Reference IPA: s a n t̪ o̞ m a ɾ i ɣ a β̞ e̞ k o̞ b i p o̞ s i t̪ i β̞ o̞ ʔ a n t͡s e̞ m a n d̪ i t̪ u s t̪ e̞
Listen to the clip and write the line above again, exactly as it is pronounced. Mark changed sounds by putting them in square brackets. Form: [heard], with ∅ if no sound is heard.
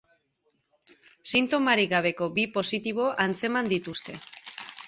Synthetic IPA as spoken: s [i] n t̪ o̞ m a ɾ i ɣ a β̞ e̞ k o̞ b i p o̞ s i t̪ i β̞ o̞ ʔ a n t͡s e̞ m a n d̪ i t̪ u s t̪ e̞